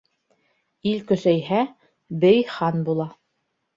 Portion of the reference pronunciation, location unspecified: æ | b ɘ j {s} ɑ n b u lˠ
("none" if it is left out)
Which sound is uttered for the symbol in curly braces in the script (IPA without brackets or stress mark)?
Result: χ